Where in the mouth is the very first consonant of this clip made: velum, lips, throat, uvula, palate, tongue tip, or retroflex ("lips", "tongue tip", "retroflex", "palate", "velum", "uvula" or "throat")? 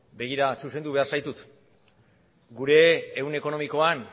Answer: lips